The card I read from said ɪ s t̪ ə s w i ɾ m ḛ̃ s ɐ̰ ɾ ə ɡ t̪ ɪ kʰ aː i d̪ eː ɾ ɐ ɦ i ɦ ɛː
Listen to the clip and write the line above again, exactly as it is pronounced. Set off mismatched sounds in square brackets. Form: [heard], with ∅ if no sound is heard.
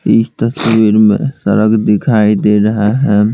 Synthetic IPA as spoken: ɪ s t̪ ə s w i ɾ m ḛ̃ s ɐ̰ ɾ ə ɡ [d̪] ɪ kʰ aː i d̪ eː ɾ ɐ ɦ [a] ɦ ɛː